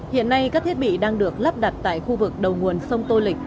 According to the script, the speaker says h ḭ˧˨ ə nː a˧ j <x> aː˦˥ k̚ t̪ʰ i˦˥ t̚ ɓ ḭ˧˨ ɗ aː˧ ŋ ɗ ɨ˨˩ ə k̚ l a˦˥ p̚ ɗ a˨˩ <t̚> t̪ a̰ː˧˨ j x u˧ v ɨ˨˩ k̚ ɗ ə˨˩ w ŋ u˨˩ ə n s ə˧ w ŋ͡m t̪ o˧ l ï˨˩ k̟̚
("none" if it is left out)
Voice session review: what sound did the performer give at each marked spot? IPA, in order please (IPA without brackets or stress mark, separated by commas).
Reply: k, t̚